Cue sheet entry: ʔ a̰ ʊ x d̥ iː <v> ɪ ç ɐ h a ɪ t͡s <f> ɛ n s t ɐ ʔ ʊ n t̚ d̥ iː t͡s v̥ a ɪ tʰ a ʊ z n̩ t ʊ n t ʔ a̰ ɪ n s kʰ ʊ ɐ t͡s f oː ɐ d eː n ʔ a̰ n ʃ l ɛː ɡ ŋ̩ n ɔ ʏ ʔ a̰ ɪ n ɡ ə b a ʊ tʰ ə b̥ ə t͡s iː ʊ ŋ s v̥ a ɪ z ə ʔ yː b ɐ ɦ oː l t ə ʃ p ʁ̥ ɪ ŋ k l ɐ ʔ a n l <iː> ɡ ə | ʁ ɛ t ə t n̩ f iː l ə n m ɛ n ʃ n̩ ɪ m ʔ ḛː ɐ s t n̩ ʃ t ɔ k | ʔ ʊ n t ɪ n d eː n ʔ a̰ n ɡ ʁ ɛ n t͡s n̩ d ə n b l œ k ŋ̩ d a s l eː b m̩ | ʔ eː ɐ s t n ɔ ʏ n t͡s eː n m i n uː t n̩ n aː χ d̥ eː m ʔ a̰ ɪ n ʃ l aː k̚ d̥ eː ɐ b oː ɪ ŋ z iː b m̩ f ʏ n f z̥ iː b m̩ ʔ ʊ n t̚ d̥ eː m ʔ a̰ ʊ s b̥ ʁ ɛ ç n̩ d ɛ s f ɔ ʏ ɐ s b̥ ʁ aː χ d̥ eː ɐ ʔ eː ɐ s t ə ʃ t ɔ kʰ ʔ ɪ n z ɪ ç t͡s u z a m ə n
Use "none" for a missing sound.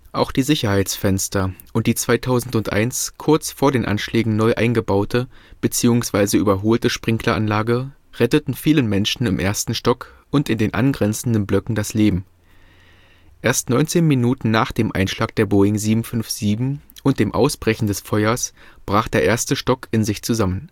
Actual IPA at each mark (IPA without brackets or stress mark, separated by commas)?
z, f, aː